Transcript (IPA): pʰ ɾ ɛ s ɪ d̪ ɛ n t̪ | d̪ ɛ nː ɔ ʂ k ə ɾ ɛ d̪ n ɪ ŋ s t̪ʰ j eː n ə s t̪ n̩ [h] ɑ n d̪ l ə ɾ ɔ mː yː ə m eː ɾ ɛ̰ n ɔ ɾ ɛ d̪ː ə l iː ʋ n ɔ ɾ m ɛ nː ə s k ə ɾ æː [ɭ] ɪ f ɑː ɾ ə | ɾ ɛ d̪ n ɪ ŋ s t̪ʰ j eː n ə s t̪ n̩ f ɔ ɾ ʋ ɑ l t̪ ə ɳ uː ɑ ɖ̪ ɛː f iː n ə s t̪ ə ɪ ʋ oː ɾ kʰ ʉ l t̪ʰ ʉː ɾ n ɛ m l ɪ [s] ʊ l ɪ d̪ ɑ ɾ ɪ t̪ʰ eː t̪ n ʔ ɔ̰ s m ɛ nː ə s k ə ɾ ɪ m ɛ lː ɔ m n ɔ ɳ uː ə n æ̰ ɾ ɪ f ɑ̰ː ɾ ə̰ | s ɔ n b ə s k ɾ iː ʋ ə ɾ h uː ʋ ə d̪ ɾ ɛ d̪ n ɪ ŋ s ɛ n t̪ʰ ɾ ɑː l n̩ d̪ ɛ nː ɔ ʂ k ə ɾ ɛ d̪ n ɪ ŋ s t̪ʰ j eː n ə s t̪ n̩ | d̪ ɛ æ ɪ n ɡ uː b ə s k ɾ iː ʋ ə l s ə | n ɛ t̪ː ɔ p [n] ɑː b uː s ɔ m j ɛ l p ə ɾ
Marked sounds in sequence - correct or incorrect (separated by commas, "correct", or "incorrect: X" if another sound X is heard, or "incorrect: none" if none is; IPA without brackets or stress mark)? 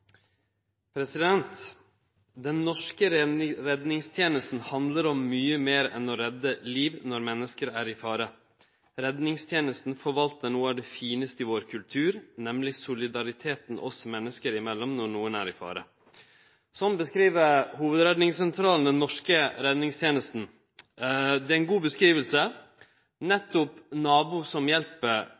correct, incorrect: ɾ, correct, correct